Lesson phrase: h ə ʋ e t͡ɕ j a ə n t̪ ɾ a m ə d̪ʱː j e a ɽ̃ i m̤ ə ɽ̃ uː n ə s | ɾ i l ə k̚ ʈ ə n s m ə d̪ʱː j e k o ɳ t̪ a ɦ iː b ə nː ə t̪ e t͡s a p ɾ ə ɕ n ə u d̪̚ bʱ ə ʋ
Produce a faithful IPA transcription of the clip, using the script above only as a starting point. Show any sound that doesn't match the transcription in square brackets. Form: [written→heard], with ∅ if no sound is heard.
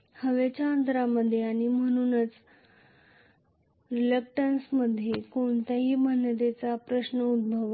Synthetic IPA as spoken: h ə ʋ e t͡ɕ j a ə n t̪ ɾ a m ə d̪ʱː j e a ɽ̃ i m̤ ə ɽ̃ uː n ə [s→t͡s] | ɾ i l ə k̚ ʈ ə n s m ə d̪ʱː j e k o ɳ t̪ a ɦ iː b ə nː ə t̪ e t͡s a p ɾ ə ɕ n ə u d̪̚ bʱ ə ʋ